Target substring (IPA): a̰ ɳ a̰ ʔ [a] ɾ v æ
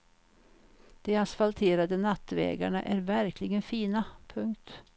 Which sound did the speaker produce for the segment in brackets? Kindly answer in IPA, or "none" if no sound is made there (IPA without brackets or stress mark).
æ